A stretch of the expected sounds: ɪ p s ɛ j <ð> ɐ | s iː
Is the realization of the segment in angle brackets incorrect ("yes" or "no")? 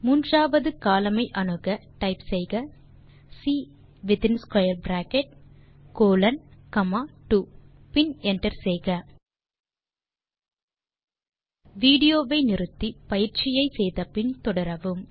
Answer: yes